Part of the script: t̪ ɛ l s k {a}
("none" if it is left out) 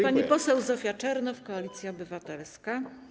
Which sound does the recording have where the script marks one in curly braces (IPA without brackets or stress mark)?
a